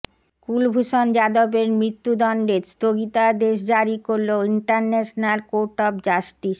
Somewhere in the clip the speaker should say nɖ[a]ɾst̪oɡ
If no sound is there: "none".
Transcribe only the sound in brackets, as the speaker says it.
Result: e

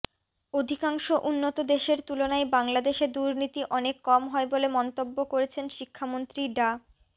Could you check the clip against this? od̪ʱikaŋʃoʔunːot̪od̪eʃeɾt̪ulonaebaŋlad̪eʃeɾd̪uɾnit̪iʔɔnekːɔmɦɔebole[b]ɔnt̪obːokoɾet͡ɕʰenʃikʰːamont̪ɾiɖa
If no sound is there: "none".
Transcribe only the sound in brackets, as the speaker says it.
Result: m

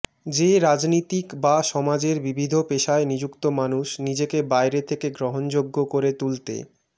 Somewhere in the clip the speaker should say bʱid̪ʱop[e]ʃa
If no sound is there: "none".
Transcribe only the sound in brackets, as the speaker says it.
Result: e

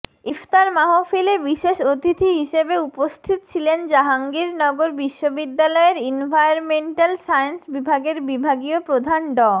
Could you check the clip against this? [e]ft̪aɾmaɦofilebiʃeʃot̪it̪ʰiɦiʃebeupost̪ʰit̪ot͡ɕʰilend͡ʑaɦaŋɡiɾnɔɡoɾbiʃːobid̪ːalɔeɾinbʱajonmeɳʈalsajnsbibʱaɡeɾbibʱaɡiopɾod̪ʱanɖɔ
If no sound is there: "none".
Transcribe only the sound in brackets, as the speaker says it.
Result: i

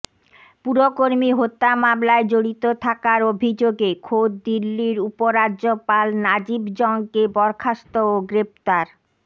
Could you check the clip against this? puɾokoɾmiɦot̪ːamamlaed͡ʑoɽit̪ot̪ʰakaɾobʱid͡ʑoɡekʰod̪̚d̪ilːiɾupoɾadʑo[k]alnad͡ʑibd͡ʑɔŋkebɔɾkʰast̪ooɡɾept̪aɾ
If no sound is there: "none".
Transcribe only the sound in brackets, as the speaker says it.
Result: p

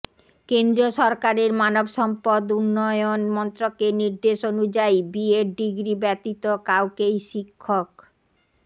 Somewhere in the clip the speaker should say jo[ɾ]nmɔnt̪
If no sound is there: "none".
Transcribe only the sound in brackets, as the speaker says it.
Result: none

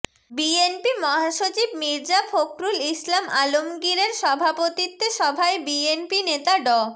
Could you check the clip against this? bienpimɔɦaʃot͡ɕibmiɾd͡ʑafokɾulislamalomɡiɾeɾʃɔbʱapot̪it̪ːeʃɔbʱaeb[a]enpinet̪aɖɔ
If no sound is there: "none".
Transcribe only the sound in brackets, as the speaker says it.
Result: i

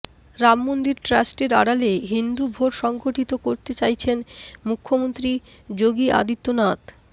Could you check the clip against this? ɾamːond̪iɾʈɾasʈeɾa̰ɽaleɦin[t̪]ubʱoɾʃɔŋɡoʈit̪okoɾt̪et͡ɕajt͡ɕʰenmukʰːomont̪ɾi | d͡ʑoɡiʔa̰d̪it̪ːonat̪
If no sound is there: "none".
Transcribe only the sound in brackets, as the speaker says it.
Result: d̪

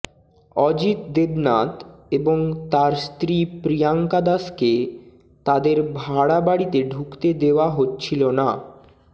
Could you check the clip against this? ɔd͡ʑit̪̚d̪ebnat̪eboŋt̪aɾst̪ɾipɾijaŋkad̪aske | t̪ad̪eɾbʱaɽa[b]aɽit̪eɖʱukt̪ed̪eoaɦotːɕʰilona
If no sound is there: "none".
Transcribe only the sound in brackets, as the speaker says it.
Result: b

